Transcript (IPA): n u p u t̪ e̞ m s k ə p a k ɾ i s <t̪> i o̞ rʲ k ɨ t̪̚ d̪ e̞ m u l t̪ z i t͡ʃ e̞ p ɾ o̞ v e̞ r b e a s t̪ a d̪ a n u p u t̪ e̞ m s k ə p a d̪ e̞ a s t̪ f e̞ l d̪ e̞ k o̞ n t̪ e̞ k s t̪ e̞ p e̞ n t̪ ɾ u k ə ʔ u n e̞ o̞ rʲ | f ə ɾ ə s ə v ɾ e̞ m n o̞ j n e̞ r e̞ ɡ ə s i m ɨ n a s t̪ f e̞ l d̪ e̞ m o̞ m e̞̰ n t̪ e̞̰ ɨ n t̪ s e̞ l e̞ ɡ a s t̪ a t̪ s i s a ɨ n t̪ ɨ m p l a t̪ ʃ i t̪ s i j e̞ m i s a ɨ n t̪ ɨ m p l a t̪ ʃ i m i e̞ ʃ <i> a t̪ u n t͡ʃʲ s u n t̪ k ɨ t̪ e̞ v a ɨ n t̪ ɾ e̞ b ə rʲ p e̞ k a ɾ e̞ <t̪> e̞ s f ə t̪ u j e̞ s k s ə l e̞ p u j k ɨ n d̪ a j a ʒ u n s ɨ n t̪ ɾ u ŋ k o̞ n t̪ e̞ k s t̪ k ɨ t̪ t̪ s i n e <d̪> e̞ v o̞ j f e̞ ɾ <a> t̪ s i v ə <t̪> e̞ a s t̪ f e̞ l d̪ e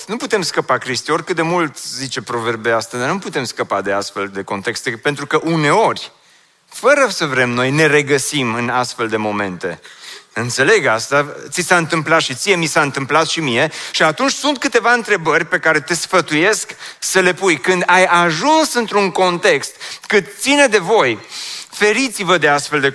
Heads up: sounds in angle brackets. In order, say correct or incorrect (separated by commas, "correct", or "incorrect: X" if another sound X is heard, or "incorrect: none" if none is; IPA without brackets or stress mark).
correct, correct, correct, correct, incorrect: i, incorrect: d̪